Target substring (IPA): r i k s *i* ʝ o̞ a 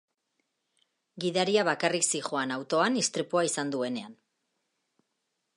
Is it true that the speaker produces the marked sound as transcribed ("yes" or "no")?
yes